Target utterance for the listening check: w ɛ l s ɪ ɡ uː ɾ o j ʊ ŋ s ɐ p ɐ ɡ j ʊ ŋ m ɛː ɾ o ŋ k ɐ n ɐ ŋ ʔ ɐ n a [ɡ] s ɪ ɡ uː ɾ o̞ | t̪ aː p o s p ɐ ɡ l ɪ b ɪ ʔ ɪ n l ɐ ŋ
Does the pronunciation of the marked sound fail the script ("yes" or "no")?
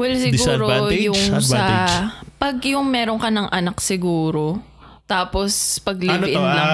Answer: yes